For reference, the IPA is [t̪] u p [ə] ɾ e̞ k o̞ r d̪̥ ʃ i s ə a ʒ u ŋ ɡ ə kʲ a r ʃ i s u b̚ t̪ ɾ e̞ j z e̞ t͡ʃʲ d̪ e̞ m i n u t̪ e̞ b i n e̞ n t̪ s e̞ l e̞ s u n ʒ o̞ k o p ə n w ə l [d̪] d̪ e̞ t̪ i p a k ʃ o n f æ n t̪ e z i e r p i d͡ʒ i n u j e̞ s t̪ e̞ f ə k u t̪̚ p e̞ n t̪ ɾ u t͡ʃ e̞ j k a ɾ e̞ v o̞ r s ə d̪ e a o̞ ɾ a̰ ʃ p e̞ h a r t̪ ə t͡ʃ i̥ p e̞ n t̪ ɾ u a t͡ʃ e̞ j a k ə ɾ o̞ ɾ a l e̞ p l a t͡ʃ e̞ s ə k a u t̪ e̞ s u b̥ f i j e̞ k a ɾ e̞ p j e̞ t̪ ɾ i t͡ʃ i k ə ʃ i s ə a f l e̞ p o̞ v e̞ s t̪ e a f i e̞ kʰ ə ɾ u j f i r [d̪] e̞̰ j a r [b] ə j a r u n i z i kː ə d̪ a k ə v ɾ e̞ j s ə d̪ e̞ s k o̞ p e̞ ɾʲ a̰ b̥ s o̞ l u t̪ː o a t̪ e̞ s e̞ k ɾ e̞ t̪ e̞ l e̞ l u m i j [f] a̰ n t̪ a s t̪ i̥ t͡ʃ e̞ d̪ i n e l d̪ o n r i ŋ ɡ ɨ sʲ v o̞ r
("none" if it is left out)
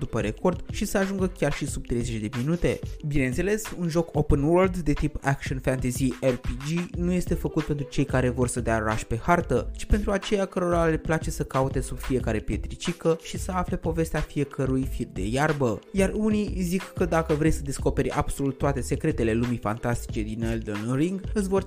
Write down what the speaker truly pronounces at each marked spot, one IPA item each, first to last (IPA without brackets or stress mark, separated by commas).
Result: d̪, ə, d̪, d̪, b, f